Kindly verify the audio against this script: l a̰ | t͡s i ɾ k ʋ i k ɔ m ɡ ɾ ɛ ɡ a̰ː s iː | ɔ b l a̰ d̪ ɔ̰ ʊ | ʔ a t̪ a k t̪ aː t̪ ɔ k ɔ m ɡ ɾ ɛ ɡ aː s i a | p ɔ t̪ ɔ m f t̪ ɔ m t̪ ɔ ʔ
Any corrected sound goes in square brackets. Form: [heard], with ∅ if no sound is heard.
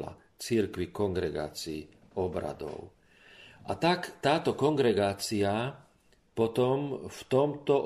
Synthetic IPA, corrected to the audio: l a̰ | t͡s i ɾ k ʋ i k ɔ [ŋ] ɡ ɾ ɛ ɡ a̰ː [t͡s] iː | ɔ b [ɾ] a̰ d̪ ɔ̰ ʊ | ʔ a t̪ a k t̪ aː t̪ ɔ k ɔ [ŋ] ɡ ɾ ɛ ɡ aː [t͡s] i a | p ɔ t̪ ɔ m f t̪ ɔ m t̪ ɔ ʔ